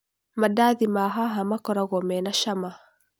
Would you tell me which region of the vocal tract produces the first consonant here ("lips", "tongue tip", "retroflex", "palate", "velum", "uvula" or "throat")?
lips